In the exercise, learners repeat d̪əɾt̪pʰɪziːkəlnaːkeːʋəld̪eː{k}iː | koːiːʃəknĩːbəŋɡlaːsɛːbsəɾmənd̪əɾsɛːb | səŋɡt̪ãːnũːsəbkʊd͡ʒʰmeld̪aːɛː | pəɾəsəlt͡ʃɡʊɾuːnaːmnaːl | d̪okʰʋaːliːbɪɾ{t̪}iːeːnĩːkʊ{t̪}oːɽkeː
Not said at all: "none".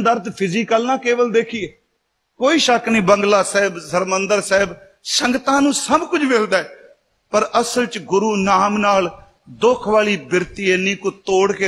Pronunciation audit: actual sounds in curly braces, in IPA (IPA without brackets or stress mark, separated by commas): kʰ, t̪, t̪